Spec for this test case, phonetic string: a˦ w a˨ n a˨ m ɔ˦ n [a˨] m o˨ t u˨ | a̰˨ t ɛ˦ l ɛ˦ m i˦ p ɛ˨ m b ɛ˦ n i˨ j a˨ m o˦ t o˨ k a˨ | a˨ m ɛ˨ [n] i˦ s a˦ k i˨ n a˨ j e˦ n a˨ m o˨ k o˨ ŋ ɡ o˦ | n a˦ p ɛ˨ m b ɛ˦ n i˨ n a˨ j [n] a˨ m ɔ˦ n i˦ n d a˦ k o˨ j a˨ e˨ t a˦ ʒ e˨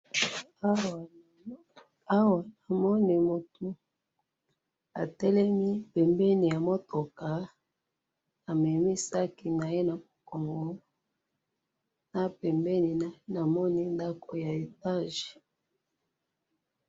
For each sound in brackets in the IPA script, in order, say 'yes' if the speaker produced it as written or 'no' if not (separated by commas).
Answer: no, no, yes